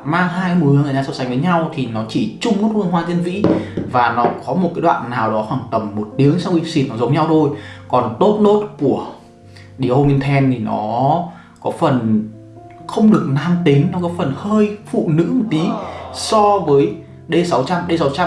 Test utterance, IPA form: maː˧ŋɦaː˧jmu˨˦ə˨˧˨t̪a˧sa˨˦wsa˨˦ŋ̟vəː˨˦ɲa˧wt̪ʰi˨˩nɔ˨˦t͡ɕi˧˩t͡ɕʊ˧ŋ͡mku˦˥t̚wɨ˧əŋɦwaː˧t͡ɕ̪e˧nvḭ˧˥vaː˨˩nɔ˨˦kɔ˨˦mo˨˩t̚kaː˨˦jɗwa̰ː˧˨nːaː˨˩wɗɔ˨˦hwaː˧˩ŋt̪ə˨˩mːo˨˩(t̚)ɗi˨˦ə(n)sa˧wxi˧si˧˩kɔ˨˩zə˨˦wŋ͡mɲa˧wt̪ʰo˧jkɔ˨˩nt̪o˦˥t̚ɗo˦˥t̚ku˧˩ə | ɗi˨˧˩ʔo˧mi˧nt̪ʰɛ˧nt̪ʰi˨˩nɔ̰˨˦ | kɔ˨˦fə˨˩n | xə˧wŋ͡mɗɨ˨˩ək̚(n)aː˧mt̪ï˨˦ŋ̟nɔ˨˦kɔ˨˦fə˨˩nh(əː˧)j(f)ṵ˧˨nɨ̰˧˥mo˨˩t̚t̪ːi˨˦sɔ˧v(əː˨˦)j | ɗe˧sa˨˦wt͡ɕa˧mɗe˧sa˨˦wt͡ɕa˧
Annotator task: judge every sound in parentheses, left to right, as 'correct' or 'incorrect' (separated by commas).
correct, incorrect, correct, correct, correct, correct